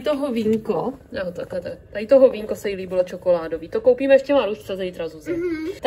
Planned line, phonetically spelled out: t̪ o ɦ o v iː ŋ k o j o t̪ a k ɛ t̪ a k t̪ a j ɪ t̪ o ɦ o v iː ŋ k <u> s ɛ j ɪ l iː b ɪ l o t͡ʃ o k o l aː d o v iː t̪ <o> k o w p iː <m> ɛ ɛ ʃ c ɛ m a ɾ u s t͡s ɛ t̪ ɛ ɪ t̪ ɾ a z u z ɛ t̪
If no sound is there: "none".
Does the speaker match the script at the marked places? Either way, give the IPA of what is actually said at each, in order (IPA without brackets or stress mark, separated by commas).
o, o, m